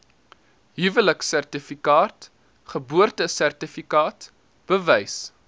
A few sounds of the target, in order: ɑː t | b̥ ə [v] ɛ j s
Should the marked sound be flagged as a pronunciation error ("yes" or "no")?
no